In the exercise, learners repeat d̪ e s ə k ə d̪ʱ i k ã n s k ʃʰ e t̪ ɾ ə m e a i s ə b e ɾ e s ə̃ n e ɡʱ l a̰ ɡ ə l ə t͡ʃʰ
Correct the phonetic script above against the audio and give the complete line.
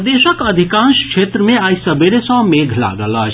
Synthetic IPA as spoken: d̪ e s ə k ə d̪ʱ i k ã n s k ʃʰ e t̪ ɾ ə m e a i s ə b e ɾ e s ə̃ m e ɡʱ l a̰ ɡ ə l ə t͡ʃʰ